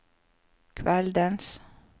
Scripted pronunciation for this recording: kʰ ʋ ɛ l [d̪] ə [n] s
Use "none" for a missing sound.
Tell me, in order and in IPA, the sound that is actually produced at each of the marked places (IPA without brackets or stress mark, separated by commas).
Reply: d̪, n